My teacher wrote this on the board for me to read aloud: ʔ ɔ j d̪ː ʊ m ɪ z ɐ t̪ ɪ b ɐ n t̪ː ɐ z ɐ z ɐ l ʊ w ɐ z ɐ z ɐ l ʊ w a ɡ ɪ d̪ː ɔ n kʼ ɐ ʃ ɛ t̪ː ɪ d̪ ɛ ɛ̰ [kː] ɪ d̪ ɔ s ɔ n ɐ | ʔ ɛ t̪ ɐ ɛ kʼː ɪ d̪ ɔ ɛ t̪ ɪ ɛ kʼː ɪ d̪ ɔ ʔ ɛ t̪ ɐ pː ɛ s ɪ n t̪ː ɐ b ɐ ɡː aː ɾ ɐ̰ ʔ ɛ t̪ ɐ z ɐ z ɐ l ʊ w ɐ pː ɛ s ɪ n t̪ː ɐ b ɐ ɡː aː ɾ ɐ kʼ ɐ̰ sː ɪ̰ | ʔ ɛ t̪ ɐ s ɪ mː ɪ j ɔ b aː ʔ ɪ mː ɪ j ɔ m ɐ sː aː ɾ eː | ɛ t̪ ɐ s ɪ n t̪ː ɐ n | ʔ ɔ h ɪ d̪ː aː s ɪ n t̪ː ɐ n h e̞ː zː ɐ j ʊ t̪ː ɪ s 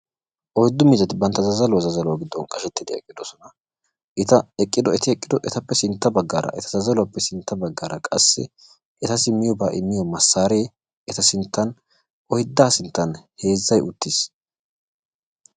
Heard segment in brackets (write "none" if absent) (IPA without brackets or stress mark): kʼː